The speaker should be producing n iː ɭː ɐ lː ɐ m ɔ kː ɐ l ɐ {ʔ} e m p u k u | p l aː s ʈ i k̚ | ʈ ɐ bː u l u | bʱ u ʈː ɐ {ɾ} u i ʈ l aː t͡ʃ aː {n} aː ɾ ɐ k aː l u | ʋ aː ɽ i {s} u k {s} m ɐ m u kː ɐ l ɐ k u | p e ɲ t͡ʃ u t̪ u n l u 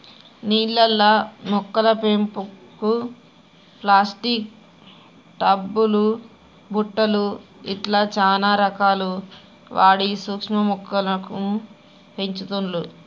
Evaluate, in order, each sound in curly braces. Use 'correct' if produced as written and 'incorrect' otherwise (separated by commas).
incorrect, incorrect, correct, correct, incorrect